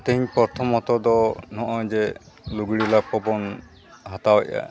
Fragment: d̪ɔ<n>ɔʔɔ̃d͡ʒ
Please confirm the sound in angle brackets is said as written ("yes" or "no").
yes